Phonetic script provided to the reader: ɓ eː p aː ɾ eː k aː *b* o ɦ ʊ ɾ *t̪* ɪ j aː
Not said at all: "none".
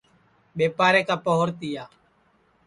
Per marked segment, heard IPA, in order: p, t̪

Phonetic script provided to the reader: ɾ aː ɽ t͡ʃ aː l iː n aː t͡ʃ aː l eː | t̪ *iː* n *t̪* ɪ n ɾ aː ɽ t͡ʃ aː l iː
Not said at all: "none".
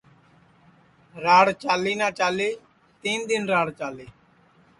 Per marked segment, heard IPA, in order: iː, d̪

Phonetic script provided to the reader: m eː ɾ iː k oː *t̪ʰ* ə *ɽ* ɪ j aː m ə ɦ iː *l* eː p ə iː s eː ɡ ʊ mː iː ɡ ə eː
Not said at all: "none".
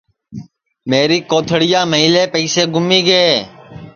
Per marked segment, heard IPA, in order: t̪ʰ, ɽ, l

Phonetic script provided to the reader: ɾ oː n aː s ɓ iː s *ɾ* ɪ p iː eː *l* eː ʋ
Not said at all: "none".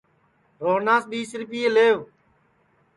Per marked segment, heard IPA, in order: ɾ, l

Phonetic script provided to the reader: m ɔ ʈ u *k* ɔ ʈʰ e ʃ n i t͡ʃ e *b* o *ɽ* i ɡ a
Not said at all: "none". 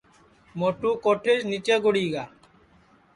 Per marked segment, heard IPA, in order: k, ɡ, ɽ

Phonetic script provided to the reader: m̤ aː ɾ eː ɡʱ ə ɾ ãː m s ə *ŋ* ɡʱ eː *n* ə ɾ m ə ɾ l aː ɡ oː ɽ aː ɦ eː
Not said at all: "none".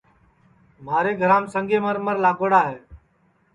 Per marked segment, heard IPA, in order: ŋ, m

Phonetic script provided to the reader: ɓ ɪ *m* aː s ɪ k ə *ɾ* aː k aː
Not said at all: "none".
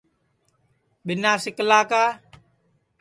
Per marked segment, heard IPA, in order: n, l

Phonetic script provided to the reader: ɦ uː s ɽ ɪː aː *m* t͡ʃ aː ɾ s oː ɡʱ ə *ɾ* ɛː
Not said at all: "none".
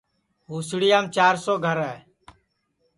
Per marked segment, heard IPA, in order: m, ɾ

